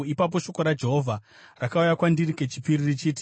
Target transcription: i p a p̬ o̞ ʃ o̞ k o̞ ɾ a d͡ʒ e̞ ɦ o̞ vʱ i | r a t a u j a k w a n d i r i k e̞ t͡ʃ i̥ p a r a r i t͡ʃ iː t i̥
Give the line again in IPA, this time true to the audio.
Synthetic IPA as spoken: i p a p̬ o̞ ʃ o̞ k o̞ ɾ a d͡ʒ e̞ ɦ o̞ vʱ a | r a k a u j a k w a n d i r i k e̞ t͡ʃ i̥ p i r i r i t͡ʃ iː t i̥